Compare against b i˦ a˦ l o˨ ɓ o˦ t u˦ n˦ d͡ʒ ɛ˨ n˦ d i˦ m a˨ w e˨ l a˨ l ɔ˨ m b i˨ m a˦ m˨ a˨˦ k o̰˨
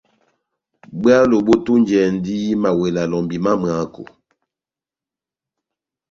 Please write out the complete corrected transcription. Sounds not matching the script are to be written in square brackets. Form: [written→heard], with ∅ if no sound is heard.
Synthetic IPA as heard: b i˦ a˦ l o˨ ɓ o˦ t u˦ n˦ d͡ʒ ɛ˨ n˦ d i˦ m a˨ w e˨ l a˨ l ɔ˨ m b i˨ m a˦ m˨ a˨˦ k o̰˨